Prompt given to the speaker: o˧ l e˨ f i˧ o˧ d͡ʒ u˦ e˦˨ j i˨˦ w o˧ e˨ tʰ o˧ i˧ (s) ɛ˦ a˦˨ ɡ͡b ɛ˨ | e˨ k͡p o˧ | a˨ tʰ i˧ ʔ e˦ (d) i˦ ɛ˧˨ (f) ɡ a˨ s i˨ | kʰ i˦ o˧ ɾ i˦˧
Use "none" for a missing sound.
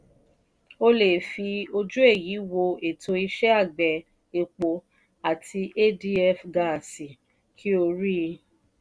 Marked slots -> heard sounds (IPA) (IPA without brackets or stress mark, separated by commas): ʃ, d, f